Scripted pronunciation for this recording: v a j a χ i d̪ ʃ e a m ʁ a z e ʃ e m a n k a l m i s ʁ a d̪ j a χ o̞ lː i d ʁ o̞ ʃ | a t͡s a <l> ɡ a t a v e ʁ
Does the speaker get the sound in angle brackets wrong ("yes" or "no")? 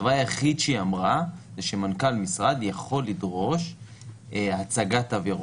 yes